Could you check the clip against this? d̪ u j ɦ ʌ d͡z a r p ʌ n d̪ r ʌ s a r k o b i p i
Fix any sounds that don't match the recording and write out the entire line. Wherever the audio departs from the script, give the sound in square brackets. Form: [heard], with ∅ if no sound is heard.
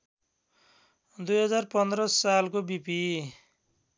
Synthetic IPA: d̪ u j ɦ ʌ d͡z a r p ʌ n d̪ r ʌ s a [l] k o b i p i